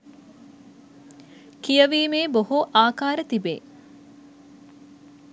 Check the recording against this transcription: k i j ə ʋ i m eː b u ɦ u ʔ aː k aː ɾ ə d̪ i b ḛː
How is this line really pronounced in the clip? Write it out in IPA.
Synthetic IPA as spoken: k i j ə ʋ iː m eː b o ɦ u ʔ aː k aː ɾ ə t̪ i b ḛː

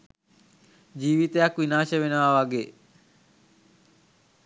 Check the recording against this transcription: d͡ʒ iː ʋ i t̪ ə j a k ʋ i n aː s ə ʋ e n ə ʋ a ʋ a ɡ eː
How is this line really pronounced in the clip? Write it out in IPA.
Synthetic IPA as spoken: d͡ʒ iː ʋ i t̪ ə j a k ʋ i n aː ʃ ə ʋ e n ə ʋ a ʋ a ɡ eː

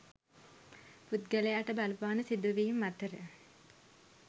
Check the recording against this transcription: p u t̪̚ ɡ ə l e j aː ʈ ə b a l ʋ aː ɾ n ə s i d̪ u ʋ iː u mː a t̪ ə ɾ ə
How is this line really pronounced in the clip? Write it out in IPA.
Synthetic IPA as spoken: p u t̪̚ ɡ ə l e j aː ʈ ə b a l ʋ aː n ə s i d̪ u ʋ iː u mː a t̪ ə ɾ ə

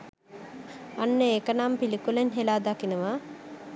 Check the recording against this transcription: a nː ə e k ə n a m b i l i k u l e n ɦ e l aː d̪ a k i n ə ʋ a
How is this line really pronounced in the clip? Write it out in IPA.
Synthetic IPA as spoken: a nː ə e k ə n a m p i l i k u l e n ɦ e l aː d̪ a k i n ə ʋ a

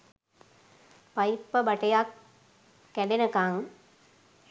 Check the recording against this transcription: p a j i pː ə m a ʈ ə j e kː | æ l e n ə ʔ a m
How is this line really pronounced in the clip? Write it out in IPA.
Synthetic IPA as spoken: p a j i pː ə b a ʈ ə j a kː | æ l e n ə k a ŋ

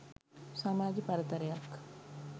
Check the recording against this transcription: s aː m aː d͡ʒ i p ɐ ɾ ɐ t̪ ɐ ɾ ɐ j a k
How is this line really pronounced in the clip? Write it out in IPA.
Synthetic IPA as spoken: s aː m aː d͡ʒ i p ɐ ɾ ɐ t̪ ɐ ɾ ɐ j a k

